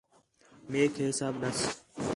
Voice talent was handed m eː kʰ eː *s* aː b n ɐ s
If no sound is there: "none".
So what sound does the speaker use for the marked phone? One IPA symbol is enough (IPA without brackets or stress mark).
s